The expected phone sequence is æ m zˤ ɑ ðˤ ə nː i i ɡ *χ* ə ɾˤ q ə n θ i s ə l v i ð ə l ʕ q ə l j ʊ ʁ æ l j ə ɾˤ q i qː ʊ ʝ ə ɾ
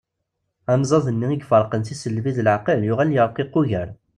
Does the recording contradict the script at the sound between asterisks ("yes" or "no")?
yes